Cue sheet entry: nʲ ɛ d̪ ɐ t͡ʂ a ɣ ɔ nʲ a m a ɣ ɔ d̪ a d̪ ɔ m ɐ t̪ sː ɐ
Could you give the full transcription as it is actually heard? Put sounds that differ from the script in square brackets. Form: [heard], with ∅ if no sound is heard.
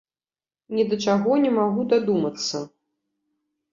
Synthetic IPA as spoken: nʲ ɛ d̪ ɐ t͡ʂ a ɣ ɔ nʲ [ɛ] m a ɣ [u] d̪ a d̪ [u] m ɐ t̪ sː ɐ